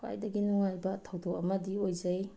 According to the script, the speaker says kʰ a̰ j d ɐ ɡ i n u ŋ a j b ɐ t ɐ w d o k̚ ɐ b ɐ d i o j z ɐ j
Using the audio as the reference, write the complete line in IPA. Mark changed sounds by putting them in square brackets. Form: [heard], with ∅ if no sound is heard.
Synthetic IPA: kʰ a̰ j d ɐ ɡ i n u ŋ a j b ɐ [tʰ] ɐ w d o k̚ ɐ [m] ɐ d i o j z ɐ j